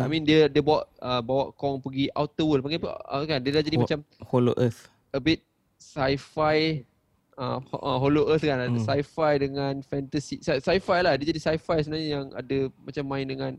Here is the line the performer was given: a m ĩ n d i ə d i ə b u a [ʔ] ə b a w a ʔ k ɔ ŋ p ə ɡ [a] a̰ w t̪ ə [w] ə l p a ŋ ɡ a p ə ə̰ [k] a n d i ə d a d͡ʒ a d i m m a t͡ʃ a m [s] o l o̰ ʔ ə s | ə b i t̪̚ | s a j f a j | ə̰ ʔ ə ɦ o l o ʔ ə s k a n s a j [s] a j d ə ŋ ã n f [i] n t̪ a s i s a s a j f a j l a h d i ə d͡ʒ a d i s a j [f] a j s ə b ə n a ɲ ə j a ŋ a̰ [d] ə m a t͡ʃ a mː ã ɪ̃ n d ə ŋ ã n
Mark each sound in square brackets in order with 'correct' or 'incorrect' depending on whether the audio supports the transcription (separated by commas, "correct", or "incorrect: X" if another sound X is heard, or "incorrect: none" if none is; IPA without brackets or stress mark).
correct, incorrect: i, correct, correct, incorrect: h, incorrect: f, incorrect: ɛ, correct, correct